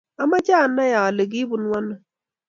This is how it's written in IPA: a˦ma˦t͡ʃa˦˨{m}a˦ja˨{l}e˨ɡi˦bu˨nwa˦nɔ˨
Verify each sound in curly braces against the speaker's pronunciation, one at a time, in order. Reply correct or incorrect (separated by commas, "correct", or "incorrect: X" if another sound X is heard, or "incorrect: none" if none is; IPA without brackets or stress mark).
incorrect: n, correct